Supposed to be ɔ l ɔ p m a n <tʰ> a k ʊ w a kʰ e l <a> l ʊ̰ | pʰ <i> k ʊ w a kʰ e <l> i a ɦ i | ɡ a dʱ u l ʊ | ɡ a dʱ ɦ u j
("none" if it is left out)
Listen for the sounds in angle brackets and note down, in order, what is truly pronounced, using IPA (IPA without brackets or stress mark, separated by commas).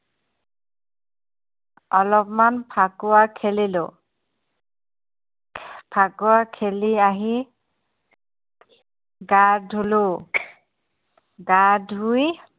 pʰ, i, a, l